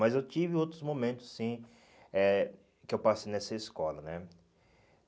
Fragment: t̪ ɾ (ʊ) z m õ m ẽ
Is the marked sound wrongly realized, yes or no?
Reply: no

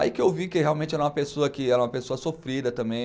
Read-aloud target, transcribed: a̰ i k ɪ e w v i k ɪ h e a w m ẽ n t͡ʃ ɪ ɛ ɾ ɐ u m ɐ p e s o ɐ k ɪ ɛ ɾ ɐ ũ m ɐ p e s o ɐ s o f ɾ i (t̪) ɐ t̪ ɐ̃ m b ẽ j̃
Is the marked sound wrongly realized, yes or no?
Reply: yes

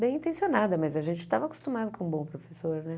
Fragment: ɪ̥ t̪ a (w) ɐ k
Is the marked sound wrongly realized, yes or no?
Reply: yes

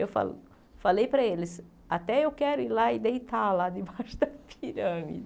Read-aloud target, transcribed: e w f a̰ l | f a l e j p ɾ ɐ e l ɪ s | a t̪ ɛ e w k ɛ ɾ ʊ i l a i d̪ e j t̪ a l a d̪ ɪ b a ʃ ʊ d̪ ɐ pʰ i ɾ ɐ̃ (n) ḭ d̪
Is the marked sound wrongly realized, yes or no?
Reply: yes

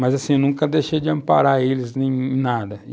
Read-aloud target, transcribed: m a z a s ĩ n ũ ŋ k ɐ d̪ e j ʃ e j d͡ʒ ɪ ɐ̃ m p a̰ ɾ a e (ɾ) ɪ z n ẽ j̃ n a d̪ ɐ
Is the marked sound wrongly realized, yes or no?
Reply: yes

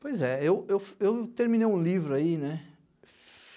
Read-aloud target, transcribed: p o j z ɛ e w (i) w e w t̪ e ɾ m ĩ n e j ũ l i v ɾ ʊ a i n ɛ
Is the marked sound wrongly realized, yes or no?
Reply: yes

